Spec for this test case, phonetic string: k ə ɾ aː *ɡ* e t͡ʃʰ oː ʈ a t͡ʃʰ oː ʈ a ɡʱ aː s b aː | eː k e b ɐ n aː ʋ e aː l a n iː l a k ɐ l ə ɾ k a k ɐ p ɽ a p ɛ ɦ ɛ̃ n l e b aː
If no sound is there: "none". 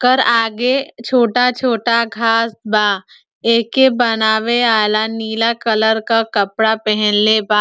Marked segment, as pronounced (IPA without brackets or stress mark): ɡ